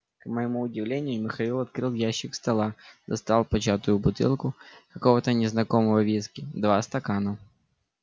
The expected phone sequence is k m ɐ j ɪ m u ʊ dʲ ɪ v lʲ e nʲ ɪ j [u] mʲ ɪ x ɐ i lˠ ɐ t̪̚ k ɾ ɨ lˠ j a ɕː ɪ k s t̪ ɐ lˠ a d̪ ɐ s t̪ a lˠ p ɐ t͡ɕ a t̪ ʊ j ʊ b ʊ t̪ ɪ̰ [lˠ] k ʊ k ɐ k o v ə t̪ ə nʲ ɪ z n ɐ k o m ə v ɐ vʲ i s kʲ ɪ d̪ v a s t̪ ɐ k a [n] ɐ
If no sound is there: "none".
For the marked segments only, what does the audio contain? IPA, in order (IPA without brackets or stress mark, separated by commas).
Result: ʊ, lˠ, n